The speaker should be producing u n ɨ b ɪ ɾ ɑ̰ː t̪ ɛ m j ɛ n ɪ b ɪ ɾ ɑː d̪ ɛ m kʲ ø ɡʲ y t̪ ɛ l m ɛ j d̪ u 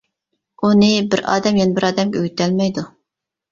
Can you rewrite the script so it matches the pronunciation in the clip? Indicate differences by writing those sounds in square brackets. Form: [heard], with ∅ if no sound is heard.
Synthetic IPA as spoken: u n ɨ b ɪ ɾ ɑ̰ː [d̪] ɛ m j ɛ n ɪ b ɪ ɾ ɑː d̪ ɛ m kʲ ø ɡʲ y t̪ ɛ l m ɛ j d̪ u